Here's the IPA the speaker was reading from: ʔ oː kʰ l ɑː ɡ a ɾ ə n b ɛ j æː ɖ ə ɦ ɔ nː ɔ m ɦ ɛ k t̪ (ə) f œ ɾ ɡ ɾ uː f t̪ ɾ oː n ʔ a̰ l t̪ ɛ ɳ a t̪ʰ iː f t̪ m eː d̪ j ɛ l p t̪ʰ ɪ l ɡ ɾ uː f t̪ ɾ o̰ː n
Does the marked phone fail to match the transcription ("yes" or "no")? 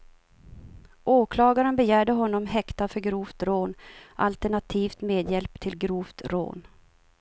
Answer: yes